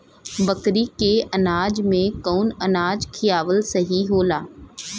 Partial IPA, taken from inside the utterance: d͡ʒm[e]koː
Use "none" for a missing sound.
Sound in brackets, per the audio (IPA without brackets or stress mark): ẽ